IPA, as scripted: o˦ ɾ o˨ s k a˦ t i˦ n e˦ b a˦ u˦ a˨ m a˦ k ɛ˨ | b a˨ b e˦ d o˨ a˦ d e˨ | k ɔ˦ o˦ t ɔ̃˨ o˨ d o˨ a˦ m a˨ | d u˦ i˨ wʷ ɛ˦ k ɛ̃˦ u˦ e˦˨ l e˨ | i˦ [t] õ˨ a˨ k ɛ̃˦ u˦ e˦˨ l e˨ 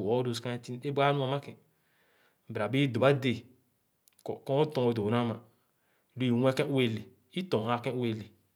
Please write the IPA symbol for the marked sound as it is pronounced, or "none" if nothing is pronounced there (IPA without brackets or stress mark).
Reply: t